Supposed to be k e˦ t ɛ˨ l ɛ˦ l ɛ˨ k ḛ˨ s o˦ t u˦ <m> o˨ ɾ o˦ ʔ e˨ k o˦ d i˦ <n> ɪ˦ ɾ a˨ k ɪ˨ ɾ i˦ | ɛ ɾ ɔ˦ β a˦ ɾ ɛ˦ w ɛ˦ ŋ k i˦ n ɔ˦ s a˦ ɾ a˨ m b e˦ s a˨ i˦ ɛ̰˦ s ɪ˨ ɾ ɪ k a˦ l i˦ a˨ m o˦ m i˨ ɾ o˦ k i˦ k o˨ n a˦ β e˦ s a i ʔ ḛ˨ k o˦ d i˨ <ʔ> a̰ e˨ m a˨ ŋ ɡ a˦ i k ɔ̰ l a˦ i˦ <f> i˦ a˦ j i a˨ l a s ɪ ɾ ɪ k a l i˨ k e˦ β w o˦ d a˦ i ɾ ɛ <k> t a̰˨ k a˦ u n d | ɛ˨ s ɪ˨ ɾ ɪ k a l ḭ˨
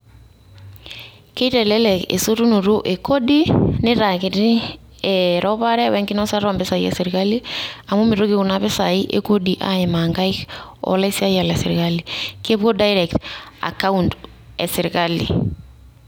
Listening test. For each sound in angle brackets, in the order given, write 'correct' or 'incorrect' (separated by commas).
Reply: incorrect, correct, correct, incorrect, correct